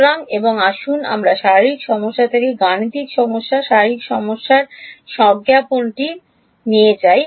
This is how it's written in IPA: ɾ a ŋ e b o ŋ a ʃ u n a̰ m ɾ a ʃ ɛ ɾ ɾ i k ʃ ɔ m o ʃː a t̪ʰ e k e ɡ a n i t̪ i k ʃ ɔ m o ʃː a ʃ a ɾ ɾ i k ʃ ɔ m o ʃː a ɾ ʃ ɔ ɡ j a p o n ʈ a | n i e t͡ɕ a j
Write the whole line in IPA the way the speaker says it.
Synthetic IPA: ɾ a ŋ e b o ŋ a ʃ u n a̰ m ɾ a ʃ a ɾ ɾ i k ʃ ɔ m o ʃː a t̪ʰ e k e ɡ a n i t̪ i k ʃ ɔ m o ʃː a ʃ a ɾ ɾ i k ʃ ɔ m o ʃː a ɾ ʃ ɔ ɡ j a p o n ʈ i | n i e t͡ɕ a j